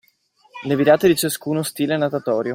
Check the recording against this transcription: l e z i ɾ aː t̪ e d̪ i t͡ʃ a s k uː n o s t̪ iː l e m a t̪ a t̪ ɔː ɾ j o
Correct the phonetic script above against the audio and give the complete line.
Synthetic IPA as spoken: l e v i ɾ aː t̪ e d̪ i t͡ʃ a s k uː n o s t̪ iː l e n a t̪ a t̪ ɔː ɾ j o